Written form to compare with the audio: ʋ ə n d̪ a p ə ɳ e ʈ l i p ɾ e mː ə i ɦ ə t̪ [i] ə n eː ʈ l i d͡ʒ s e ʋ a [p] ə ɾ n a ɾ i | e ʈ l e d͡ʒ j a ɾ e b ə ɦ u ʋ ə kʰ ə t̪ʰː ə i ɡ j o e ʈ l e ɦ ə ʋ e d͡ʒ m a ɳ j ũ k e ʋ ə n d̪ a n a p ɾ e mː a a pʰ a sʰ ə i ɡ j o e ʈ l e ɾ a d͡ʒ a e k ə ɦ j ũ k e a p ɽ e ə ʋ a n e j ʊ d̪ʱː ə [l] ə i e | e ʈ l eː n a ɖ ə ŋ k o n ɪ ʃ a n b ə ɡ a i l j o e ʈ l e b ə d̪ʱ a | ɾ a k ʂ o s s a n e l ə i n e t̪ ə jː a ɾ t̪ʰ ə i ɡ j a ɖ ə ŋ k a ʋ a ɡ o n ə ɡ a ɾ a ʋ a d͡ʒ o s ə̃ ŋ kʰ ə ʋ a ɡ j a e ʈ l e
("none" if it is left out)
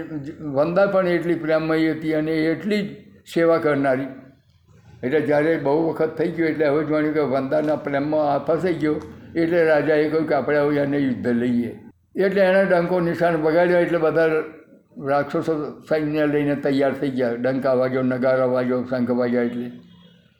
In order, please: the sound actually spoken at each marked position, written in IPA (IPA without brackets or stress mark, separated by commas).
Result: i, k, l